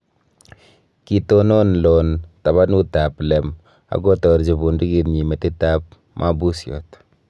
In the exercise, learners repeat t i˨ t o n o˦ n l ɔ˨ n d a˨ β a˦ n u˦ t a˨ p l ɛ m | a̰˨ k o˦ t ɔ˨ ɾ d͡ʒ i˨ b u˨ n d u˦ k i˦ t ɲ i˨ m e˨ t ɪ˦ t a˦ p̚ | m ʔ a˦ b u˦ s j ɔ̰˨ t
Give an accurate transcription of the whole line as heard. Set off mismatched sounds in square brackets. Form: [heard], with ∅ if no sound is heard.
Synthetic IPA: [k] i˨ t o n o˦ n l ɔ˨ n [t] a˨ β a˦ n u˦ t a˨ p l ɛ m | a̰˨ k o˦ t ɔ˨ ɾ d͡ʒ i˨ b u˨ n d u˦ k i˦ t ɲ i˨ m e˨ t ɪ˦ t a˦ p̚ | m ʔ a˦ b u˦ s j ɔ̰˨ t